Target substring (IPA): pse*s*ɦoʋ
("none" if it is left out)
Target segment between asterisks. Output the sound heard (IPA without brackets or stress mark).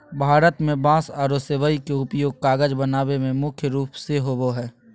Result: none